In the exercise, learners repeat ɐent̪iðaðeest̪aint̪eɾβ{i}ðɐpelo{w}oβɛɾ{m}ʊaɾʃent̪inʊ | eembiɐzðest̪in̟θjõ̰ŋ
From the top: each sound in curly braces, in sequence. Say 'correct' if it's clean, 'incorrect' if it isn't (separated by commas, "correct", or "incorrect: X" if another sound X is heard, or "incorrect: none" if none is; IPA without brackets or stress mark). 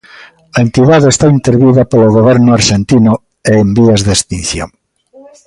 correct, incorrect: ɣ, incorrect: n